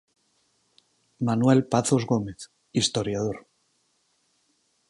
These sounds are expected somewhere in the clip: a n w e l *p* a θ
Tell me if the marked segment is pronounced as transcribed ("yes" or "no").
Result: yes